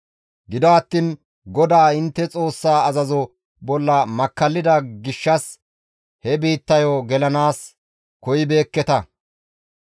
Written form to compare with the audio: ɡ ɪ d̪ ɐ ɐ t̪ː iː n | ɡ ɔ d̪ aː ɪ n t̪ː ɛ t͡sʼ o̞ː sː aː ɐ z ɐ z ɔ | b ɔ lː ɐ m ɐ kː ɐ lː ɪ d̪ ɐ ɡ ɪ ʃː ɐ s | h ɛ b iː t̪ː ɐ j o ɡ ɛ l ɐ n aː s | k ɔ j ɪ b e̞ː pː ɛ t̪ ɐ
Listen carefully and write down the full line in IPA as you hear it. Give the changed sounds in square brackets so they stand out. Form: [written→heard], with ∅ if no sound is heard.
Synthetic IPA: ɡ ɪ d̪ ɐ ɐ t̪ː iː n | ɡ ɔ d̪ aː ɪ n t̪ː ɛ t͡sʼ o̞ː sː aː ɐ z ɐ z ɔ | b ɔ lː ɐ m ɐ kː ɐ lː ɪ d̪ ɐ ɡ ɪ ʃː ɐ s | h ɛ b iː t̪ː ɐ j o ɡ ɛ l ɐ n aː s | k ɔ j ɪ b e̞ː [pː→kː] ɛ t̪ ɐ